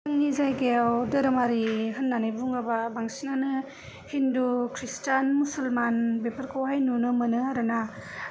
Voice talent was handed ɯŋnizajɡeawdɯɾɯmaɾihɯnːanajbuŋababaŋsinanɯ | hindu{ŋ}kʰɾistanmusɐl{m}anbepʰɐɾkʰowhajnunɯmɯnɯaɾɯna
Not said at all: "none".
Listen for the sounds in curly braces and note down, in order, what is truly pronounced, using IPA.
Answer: none, m

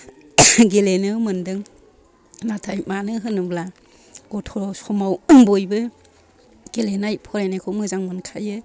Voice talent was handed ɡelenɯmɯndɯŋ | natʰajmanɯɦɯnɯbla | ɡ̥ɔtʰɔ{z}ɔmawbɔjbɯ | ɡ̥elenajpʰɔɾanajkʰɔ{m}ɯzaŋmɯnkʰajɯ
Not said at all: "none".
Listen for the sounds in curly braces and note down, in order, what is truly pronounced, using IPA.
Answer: s, m

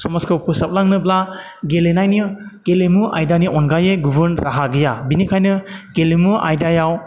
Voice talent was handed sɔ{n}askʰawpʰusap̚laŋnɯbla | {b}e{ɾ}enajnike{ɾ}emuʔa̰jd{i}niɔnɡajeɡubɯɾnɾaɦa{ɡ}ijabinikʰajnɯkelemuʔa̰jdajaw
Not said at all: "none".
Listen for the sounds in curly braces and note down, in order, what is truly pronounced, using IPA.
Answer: m, ɡ, l, l, a, ɡ

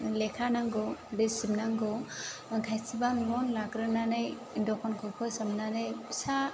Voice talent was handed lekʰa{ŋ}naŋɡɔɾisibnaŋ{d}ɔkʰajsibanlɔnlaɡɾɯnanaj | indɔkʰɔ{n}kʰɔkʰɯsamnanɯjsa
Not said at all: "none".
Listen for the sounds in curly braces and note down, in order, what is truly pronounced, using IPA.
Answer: none, ɡ, n

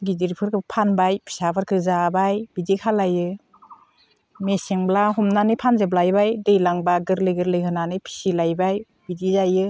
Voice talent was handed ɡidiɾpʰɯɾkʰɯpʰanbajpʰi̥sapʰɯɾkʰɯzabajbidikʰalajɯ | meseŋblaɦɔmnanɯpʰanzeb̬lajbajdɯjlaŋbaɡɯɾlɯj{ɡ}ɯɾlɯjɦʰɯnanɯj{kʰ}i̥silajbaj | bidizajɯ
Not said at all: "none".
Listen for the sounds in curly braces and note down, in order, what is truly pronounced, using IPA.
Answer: ɡ, pʰ

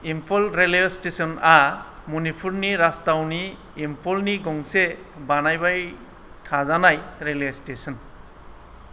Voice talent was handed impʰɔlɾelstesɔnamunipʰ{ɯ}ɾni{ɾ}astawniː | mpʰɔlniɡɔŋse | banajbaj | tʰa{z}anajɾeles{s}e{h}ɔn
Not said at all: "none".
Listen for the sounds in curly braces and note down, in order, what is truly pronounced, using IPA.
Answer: u, ɾ, z, t, s

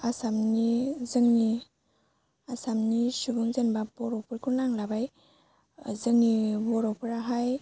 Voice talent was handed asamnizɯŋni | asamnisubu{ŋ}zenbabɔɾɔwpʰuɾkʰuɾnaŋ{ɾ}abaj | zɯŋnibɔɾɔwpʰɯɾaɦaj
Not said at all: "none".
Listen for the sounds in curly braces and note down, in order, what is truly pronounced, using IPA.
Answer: ŋ, l

